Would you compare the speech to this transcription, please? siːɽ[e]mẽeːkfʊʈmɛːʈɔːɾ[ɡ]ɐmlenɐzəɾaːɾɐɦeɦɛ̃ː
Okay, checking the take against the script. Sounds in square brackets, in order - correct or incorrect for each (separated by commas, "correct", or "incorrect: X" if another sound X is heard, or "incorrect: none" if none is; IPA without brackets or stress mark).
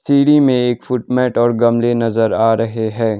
incorrect: i, correct